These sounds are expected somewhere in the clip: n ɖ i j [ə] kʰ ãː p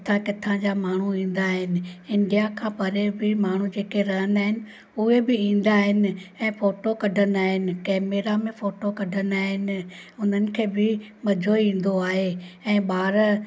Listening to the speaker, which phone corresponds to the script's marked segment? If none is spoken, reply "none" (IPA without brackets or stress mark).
a